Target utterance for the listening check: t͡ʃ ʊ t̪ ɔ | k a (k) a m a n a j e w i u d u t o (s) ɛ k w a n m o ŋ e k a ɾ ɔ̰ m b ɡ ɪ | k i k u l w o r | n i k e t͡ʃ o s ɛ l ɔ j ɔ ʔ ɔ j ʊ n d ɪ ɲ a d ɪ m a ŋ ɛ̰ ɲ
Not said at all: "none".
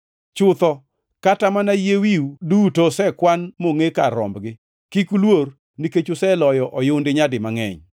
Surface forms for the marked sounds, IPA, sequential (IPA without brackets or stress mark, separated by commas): t, s